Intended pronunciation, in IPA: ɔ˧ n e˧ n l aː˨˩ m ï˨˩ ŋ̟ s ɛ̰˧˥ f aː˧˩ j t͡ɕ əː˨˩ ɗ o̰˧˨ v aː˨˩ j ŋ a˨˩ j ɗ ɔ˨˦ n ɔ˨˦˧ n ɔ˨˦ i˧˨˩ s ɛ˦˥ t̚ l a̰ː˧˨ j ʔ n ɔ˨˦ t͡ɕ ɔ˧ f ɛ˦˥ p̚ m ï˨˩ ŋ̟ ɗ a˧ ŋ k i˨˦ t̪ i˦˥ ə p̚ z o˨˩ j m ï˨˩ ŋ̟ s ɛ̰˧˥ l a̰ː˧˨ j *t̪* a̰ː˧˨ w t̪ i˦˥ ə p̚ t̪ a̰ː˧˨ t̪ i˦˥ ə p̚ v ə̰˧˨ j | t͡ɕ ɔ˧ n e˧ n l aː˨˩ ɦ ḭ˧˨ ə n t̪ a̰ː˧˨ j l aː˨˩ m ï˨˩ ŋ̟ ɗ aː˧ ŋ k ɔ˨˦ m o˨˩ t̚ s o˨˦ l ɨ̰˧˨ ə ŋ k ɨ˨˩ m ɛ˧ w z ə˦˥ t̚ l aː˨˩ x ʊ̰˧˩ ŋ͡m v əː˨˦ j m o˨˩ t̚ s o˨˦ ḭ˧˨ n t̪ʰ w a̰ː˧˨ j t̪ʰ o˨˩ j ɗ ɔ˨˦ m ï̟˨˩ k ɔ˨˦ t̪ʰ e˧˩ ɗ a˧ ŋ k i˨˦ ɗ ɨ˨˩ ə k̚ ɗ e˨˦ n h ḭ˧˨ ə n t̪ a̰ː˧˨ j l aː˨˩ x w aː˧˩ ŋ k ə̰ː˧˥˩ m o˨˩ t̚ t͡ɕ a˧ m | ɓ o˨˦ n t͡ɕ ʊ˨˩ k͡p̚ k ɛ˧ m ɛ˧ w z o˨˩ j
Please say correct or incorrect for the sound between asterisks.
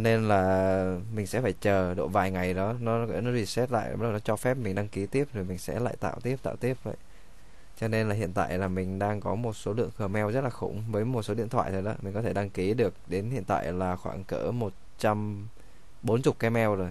correct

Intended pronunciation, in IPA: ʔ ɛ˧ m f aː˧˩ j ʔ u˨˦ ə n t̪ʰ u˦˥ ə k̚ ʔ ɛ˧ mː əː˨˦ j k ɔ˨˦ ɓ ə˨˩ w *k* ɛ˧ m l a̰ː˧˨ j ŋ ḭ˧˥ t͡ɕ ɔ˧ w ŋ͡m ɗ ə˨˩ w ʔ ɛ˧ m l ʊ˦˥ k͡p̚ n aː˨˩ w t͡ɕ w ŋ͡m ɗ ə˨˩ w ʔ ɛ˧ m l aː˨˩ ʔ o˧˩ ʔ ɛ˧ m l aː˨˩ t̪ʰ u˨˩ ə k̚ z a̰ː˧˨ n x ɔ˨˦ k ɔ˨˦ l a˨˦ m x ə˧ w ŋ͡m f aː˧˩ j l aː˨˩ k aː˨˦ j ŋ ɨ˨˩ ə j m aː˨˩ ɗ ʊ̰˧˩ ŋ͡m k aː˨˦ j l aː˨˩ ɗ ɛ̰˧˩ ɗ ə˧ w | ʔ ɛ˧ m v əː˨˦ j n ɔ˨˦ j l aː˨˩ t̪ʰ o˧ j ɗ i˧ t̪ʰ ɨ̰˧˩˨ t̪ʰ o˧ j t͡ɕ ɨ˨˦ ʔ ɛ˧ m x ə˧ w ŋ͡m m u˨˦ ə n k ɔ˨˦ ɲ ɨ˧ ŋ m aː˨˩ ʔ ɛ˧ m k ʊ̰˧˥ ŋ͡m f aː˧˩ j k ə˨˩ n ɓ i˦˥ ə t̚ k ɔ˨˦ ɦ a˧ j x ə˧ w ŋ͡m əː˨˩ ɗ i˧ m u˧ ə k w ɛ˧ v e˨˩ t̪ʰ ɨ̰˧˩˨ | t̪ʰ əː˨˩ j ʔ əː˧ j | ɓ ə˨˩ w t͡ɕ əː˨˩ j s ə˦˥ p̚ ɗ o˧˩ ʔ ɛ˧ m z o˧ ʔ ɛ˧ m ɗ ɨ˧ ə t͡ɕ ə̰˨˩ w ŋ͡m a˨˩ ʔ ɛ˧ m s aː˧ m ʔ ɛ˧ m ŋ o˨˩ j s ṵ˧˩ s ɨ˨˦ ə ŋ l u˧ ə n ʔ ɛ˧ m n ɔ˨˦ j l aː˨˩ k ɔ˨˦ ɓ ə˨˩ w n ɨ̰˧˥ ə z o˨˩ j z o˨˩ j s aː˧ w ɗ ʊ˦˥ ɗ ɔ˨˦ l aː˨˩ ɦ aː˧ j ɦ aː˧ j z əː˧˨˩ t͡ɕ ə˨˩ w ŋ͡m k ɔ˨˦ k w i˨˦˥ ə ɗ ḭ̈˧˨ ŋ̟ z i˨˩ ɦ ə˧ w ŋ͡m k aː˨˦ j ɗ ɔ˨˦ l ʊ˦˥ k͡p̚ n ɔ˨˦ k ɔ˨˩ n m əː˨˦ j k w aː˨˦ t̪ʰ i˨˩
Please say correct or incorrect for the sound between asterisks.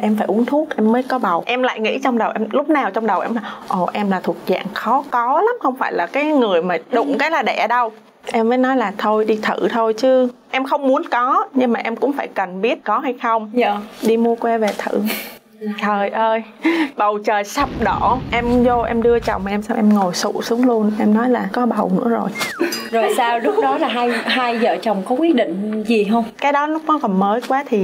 incorrect: ʔ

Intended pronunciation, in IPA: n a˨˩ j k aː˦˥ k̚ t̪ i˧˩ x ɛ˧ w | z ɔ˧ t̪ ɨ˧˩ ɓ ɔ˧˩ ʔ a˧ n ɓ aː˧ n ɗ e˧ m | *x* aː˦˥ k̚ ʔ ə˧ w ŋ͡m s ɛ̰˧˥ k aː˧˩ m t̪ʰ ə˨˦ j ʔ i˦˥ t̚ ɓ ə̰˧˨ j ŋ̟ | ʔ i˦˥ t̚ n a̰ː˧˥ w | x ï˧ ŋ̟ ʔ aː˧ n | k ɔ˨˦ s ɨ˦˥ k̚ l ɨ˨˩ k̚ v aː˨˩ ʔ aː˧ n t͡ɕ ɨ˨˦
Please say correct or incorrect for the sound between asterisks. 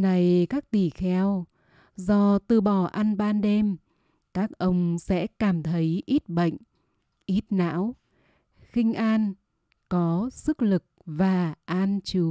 incorrect: k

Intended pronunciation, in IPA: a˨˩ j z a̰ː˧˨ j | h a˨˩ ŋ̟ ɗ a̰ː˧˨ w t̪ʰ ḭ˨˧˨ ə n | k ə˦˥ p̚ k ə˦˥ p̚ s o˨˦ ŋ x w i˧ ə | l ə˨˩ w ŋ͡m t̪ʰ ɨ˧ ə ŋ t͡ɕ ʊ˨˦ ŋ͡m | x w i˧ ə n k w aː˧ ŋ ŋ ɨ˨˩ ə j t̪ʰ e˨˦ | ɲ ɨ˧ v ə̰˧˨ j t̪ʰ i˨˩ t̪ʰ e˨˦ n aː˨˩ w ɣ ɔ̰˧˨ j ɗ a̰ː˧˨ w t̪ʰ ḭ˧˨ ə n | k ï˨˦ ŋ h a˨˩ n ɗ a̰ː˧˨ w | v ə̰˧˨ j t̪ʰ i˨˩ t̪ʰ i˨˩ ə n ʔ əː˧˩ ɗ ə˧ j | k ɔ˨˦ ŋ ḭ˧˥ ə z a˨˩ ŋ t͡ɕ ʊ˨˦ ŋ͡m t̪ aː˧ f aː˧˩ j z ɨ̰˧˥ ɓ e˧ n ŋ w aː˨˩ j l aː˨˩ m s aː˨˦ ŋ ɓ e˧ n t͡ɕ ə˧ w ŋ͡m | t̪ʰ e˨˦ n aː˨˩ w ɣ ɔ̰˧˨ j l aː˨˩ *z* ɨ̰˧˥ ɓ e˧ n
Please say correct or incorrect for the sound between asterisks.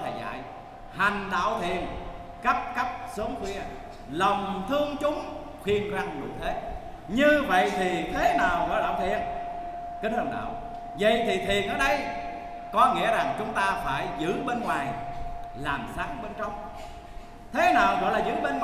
correct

